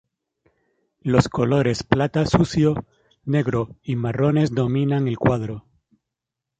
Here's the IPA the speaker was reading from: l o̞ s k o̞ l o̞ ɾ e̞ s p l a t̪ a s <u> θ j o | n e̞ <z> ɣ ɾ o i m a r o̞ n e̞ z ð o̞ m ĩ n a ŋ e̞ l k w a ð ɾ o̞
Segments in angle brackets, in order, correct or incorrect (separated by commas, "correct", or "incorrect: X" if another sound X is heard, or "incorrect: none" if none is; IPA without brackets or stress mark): correct, incorrect: none